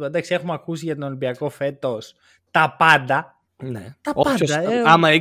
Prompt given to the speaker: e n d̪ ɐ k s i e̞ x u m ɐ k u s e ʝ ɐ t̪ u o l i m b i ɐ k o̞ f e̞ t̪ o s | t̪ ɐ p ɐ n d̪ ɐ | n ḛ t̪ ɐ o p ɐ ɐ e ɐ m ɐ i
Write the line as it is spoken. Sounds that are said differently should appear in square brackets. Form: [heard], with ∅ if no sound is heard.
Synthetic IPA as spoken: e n d̪ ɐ k s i e̞ x u m ɐ k u s [i] ʝ ɐ t̪ [o] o l i m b i ɐ k o̞ f e̞ t̪ o s | t̪ ɐ p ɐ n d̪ ɐ | n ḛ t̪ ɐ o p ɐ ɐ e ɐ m ɐ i